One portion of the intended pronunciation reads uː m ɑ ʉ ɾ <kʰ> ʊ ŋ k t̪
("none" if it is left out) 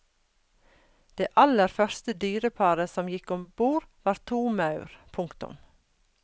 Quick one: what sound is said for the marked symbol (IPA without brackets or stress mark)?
pʰ